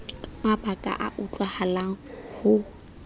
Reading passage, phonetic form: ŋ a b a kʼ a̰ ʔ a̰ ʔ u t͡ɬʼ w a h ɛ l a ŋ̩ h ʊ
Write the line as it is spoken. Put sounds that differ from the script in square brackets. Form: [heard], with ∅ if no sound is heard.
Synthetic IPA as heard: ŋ a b a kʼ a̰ ʔ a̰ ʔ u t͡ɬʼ w a h [a] l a ŋ̩ h ʊ